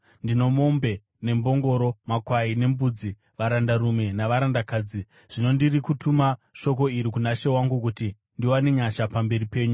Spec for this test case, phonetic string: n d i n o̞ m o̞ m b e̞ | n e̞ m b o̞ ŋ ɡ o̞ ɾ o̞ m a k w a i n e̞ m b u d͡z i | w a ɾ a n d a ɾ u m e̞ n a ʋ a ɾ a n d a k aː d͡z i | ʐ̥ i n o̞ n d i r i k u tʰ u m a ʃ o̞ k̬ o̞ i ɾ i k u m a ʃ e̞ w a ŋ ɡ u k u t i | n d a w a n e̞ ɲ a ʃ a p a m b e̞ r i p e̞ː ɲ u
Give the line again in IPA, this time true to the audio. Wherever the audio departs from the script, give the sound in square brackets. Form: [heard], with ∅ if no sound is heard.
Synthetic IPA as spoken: n d i n o̞ m o̞ m b e̞ | n e̞ m b o̞ ŋ ɡ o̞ ɾ o̞ m a k w a i n e̞ m b u d͡z i | [ʋ] a ɾ a n d a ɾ u m e̞ n a ʋ a ɾ a n d a k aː d͡z i | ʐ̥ i n o̞ n d i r i k u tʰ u m a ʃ o̞ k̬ o̞ i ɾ i k u [n] a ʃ e̞ w a ŋ ɡ u k u t i | n d [i] w a n e̞ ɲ a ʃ a p a m b e̞ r i p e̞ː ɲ u